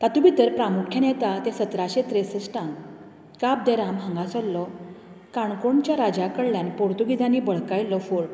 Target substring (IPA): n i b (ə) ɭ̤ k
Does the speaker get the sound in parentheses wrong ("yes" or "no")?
no